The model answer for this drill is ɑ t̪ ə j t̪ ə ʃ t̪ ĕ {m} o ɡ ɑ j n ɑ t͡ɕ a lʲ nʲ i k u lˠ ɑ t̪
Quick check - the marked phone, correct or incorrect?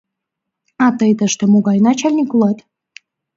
correct